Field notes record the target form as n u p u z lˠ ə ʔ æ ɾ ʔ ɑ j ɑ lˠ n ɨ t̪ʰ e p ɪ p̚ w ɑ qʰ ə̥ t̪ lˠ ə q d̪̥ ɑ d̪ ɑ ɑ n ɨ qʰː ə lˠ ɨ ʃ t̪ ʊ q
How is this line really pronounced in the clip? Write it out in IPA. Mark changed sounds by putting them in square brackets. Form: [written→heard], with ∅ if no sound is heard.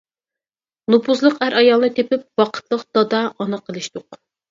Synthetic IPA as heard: n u p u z lˠ ə [ʔ→q] æ ɾ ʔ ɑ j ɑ lˠ n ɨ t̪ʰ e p ɪ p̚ w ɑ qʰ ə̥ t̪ lˠ ə q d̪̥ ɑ d̪ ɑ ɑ n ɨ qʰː ə lˠ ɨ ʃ t̪ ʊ q